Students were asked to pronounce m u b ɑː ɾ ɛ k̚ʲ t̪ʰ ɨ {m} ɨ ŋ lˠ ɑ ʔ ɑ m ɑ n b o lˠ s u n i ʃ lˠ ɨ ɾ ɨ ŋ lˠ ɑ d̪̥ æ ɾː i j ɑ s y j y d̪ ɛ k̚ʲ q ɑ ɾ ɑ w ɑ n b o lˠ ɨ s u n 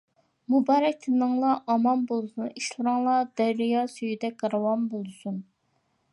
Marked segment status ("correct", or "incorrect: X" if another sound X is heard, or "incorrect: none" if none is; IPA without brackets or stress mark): incorrect: n